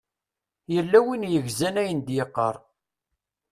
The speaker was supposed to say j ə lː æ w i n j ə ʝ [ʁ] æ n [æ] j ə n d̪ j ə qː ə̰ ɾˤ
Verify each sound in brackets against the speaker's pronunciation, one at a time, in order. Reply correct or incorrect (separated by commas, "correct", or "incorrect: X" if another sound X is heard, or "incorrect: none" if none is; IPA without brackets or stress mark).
incorrect: z, correct